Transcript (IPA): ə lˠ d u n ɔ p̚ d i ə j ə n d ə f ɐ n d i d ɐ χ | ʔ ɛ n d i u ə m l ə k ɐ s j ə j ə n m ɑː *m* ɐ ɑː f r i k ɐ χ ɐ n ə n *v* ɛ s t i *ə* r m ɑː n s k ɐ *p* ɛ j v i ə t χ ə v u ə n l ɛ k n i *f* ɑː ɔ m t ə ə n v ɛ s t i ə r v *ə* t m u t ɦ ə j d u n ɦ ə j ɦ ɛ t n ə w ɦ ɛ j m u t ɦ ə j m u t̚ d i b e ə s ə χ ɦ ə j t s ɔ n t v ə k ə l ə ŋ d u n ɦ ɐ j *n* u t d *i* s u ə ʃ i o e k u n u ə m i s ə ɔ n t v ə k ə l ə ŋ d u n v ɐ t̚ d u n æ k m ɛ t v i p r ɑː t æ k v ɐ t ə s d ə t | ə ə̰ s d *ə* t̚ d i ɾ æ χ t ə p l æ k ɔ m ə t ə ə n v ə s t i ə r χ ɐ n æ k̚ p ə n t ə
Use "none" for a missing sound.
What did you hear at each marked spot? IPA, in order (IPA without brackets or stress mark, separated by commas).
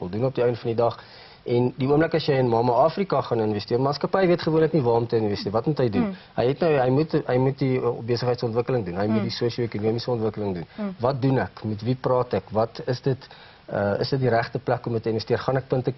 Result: m, v, ə, p, v, ɐ, m, i, ə